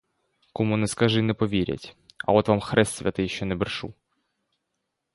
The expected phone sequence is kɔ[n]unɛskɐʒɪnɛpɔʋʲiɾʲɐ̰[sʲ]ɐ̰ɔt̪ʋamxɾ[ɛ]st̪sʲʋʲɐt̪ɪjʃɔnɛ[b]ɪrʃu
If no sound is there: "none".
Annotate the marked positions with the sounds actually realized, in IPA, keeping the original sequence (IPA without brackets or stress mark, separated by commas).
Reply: m, tʲ, ɛ, b